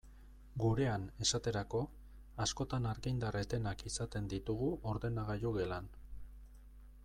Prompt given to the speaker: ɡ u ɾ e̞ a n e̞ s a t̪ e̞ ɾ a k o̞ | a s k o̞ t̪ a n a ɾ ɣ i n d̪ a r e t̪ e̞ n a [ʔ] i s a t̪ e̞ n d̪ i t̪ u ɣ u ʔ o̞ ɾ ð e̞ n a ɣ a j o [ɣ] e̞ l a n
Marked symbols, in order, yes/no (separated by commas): no, yes